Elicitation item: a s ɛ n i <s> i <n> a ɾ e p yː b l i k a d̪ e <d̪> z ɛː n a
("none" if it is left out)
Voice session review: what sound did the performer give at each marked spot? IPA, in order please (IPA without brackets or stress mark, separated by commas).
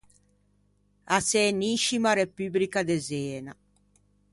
ʃ, m, none